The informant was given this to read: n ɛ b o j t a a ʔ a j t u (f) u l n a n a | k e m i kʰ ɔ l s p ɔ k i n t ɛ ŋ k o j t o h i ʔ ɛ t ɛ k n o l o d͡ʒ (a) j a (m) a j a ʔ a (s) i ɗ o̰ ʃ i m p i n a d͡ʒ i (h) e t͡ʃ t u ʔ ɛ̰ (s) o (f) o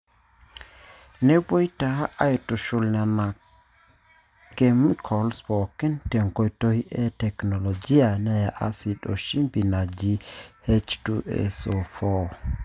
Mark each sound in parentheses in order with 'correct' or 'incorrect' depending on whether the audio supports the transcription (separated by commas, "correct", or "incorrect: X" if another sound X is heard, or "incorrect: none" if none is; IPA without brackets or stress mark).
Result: incorrect: ʃ, incorrect: i, incorrect: n, correct, correct, correct, correct